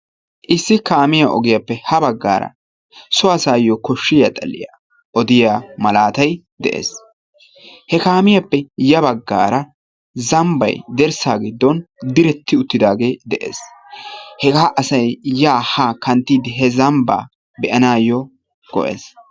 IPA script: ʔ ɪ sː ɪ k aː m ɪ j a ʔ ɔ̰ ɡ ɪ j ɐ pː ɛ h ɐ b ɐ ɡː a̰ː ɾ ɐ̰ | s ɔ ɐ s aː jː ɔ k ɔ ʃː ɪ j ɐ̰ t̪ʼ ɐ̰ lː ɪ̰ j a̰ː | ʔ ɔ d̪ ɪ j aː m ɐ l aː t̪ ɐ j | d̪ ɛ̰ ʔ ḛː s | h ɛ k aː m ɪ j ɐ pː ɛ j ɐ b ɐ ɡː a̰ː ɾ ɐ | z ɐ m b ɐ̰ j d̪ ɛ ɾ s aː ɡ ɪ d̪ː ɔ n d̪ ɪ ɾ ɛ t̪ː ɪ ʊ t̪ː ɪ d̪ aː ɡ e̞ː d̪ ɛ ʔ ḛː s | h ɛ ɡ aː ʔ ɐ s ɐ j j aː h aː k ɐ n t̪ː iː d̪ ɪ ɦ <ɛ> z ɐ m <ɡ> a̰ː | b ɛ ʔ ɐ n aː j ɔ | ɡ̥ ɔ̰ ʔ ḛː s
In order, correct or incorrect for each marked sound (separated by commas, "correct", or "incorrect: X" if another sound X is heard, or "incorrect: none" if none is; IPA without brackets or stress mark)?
correct, incorrect: b